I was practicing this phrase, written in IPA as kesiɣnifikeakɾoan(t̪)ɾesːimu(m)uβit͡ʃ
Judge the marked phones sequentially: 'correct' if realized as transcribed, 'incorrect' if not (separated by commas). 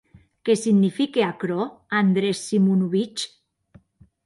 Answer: incorrect, incorrect